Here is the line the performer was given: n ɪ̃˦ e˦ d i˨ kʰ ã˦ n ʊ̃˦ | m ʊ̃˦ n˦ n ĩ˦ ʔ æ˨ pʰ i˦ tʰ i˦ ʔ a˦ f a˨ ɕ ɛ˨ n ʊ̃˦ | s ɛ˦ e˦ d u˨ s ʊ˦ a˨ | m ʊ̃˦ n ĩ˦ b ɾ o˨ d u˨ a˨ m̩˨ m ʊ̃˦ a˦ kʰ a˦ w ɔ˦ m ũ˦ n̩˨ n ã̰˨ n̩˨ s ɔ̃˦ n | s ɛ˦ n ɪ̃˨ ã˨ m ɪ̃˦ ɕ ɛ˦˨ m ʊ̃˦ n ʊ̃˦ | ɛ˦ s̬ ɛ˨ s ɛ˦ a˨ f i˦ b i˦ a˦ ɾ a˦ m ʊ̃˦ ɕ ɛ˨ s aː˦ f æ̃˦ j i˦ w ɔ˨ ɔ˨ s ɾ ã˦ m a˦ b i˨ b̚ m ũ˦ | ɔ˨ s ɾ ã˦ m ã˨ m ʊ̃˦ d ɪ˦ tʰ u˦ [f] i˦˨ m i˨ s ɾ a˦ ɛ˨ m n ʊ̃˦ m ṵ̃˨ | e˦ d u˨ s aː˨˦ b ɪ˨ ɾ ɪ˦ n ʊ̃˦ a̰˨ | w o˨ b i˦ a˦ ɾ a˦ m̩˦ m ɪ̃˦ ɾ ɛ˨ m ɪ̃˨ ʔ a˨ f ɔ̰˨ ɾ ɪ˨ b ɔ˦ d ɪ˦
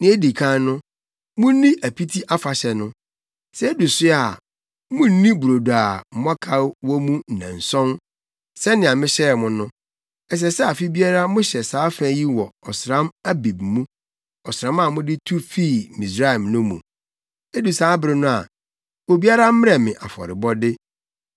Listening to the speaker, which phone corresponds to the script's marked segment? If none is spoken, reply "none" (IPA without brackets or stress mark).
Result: f